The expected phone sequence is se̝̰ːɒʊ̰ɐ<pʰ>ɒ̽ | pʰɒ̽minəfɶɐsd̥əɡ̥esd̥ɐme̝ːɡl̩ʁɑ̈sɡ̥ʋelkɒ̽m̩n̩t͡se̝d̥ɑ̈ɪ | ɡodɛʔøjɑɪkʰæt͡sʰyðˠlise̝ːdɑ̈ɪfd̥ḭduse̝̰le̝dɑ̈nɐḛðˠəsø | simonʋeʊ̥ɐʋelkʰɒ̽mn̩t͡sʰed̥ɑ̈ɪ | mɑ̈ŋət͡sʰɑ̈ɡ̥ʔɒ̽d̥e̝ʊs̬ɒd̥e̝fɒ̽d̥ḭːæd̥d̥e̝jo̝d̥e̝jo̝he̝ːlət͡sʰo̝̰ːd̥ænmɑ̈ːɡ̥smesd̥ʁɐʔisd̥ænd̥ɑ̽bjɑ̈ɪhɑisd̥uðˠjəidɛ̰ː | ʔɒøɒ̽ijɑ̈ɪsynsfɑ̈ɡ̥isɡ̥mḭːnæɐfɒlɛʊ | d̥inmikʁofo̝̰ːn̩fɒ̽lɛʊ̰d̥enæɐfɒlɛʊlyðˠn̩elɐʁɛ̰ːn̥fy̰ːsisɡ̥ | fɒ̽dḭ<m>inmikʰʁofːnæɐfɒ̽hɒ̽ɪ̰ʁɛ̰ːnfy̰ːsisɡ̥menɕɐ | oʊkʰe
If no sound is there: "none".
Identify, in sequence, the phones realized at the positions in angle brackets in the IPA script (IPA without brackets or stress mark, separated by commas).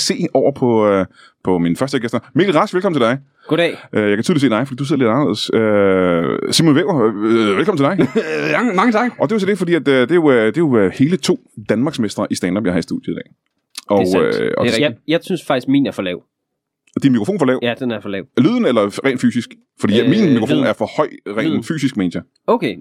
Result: pʰ, m